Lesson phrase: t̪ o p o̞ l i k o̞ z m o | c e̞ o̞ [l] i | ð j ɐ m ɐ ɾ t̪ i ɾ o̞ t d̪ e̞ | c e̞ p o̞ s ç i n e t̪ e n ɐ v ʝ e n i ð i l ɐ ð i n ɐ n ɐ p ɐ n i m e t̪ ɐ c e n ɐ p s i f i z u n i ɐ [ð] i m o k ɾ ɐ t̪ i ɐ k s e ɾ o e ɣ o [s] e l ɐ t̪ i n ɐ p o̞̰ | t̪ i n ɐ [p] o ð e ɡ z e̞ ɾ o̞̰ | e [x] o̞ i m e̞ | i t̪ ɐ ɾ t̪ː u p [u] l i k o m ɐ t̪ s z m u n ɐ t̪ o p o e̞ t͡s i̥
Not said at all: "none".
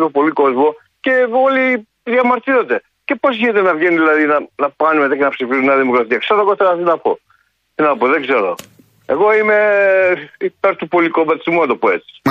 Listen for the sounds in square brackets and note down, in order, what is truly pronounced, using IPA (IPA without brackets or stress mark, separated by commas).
l, ð, θ, p, ɣ, o